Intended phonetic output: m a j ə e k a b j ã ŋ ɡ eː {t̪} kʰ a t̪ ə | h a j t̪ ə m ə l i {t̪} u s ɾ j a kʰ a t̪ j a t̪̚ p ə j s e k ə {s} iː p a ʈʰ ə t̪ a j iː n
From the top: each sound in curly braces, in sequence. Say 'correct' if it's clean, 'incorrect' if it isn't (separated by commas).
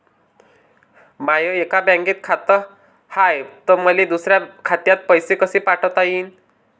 correct, incorrect, correct